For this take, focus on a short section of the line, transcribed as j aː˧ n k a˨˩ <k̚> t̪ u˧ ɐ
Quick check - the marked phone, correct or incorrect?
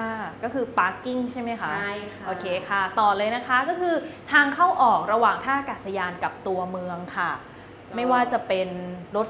incorrect